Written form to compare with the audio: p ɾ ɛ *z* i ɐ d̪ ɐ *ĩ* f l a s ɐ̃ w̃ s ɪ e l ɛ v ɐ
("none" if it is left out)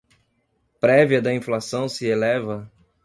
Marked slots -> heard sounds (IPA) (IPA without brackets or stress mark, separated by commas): v, ĩ